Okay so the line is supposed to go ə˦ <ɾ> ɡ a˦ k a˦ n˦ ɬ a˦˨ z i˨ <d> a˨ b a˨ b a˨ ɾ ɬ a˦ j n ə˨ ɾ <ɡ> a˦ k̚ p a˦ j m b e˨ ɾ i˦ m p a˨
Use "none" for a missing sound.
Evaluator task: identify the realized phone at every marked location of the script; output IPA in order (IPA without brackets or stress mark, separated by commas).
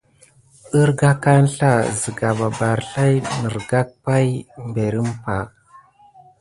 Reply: ɾ, ɡ, ɡ